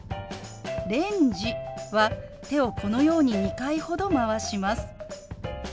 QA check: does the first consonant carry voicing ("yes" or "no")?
yes